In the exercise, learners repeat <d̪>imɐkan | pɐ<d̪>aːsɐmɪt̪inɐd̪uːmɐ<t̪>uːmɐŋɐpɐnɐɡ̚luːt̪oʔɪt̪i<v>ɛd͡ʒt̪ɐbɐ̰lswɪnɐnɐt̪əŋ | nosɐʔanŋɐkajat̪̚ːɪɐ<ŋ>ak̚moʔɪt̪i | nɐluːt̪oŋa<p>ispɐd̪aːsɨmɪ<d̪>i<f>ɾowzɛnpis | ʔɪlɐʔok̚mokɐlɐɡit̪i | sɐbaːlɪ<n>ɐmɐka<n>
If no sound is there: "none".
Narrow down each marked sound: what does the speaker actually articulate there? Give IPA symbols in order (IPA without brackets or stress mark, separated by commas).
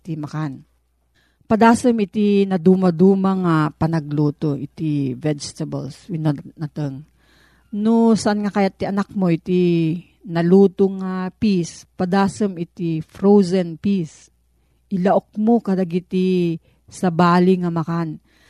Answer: t̪, d̪, d̪, v, n, p, t̪, f, ŋ, n